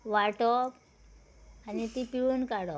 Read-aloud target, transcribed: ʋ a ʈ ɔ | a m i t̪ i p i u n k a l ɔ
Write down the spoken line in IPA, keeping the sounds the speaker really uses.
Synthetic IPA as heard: ʋ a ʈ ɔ | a n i t̪ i p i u n k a ɽ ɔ

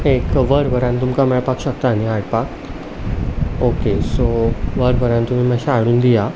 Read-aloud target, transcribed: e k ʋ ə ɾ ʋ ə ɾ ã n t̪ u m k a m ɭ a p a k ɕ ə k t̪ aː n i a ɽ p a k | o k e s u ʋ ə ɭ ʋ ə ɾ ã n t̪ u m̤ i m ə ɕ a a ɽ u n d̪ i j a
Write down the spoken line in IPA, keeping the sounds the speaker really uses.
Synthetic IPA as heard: e k ʋ ə ɾ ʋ ə ɾ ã n t̪ u m k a m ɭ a p a k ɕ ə k t̪ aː n i a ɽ p a k | o k e s o ʋ ə ɾ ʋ ə ɾ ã n t̪ u m̤ i m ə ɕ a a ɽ uː n d̪ i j a

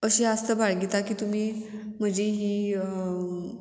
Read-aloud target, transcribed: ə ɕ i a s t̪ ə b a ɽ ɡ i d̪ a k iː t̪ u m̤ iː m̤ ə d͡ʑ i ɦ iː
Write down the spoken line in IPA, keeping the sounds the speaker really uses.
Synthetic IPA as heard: ə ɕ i a s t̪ ə b a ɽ ɡ i t̪ a k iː t̪ u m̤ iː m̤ ə d͡ʑ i ɦ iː

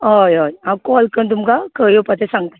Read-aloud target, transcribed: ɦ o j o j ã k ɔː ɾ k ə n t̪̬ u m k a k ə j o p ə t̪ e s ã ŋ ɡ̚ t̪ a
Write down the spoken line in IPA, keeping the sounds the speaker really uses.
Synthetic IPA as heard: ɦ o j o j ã k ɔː l k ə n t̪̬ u m k a k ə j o p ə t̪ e s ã ŋ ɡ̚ t̪ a

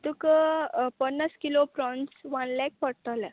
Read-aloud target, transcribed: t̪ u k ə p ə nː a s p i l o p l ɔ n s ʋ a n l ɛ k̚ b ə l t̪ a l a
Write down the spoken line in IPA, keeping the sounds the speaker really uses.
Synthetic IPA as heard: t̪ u k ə p ə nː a s k i l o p ɾ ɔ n s ʋ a n l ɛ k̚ p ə ɽ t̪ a l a

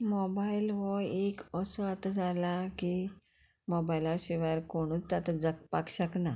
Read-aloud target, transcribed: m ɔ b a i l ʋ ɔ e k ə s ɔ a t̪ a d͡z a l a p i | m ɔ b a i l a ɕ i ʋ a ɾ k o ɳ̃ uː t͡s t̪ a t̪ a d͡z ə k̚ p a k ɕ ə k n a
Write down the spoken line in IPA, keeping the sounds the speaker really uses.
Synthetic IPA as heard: m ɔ b a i l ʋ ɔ e k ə s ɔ a t̪ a d͡z a l a k i | m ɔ b a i l a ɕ i ʋ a ɾ k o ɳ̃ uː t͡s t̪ a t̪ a d͡z ə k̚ p a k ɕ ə k n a

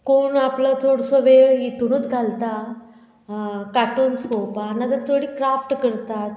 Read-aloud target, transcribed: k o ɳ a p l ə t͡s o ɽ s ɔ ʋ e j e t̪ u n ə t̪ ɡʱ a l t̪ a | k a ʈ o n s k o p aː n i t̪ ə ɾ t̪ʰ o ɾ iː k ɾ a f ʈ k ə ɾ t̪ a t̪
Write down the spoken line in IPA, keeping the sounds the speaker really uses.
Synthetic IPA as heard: k o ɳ a p l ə t͡s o ɽ s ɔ ʋ e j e t̪ u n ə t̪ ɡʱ a l t̪ a | k a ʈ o n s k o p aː n a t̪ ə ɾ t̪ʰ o ɽ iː k ɾ a f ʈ k ə ɾ t̪ a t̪

